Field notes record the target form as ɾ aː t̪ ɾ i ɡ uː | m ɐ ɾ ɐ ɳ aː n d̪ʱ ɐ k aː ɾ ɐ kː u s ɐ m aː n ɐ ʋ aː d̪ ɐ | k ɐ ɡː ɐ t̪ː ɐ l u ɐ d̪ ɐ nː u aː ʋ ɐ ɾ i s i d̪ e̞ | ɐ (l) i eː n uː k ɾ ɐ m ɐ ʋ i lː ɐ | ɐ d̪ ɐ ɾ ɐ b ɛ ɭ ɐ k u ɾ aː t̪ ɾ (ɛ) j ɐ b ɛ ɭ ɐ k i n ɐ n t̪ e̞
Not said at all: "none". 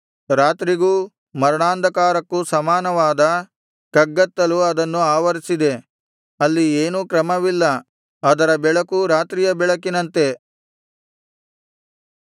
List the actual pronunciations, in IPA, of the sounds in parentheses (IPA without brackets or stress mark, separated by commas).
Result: lː, i